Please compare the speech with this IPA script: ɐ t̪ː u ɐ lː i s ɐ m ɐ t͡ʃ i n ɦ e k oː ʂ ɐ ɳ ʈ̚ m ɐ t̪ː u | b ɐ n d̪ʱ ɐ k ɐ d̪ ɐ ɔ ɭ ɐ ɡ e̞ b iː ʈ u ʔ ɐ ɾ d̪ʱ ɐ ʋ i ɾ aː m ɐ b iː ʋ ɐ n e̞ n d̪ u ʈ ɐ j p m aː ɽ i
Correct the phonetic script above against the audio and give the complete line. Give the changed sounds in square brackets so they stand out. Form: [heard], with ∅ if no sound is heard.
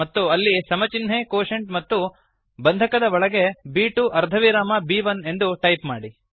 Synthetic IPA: ɐ t̪ː u ɐ lː i s ɐ m ɐ t͡ʃ i n ɦ e k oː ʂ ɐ ɳ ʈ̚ m ɐ t̪ː u | b ɐ n d̪ʱ ɐ k ɐ d̪ ɐ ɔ ɭ ɐ ɡ e̞ b iː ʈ u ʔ ɐ ɾ d̪ʱ ɐ ʋ i ɾ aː m ɐ b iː ʋ ɐ n e̞ n d̪ u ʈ ɐ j p m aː ɽ i